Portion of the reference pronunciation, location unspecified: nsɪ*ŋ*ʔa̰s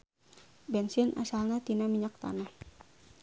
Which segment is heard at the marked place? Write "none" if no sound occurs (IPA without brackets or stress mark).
n